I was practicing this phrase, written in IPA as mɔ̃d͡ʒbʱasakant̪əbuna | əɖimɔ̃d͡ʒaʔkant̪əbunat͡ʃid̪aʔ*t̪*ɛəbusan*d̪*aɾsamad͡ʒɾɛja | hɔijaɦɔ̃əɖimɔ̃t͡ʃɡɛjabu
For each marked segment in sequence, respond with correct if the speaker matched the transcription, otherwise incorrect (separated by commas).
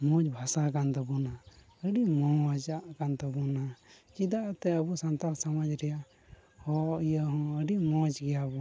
correct, incorrect